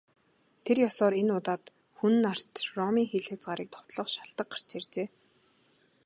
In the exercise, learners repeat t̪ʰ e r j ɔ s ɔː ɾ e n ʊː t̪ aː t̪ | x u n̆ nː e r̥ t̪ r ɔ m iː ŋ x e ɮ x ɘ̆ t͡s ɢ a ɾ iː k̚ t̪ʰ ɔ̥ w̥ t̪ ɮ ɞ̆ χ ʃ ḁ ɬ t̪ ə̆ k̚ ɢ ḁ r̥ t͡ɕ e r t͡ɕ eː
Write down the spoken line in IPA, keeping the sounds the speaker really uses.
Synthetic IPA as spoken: t̪ʰ e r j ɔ s ɔː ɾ e n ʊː t̪ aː t̪ | x u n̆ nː a r̥ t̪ r ɔ m iː ŋ x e ɮ x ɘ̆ t͡s ɢ a ɾ iː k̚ t̪ʰ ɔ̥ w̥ t̪ ɮ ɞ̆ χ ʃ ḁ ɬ t̪ ə̆ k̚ ɢ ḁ r̥ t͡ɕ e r t͡ɕ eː